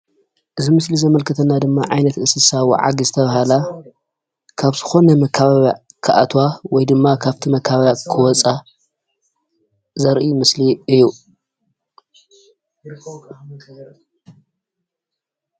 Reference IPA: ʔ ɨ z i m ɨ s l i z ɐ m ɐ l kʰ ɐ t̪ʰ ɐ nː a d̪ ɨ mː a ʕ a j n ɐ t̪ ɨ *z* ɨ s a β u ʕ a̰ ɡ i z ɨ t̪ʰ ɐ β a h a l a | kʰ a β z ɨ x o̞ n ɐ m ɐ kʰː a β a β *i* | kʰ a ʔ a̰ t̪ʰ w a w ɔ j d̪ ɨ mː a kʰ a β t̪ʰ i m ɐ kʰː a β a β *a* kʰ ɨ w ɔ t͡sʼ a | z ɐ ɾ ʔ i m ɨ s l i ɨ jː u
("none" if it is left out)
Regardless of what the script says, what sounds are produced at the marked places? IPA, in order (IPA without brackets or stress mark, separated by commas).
s, a, a